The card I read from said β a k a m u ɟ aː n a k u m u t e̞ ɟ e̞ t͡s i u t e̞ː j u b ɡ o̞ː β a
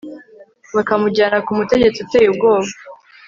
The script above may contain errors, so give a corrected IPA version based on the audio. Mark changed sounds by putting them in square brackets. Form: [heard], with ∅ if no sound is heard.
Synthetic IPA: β a k a m u ɟ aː n a k u m u t e̞ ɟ e̞ t͡s i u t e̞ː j u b ɡ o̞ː β a